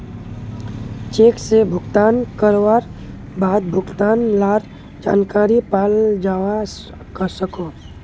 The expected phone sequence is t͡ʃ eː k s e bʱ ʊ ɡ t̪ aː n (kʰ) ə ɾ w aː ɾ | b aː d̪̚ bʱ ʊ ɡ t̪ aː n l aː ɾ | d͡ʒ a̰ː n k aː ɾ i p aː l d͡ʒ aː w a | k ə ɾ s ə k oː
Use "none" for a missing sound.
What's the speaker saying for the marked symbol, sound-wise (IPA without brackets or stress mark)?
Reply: k